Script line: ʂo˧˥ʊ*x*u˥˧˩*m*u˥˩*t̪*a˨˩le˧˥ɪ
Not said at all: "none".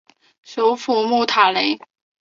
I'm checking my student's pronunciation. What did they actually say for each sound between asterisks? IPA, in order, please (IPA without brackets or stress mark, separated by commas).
f, m, t̪ʰ